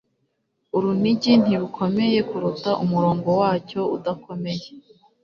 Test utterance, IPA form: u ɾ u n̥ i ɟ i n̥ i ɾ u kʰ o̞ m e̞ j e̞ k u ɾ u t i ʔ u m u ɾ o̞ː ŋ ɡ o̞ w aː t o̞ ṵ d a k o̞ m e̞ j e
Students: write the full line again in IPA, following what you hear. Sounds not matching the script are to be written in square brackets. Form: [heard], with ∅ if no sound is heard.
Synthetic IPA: u ɾ u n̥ i ɟ i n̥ i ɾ u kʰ o̞ m e̞ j e̞ k u ɾ u t [a] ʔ u m u ɾ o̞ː ŋ ɡ o̞ w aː [c] o̞ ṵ d a k o̞ m e̞ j e